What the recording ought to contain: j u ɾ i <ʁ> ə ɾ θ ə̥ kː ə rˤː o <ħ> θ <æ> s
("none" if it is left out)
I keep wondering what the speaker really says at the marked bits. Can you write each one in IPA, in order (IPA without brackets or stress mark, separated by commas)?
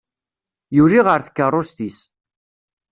ʁ, s, i